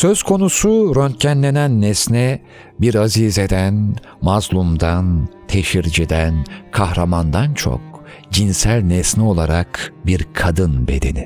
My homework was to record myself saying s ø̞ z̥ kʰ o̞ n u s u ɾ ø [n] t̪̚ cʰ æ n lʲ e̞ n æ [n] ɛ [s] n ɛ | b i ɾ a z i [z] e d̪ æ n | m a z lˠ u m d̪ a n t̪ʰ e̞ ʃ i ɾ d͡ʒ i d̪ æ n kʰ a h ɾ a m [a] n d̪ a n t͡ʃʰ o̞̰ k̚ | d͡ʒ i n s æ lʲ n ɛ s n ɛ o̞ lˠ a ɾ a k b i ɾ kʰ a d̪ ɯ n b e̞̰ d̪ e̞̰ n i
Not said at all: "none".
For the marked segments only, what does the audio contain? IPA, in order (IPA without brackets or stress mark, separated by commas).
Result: n, nː, s, z, a